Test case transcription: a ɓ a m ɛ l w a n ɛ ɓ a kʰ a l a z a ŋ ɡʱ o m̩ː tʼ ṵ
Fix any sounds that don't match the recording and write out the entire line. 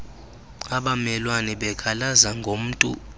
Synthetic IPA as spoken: a ɓ a m ɛ l w a n ɛ ɓ ɛ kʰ a l a z a ŋ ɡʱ o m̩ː tʼ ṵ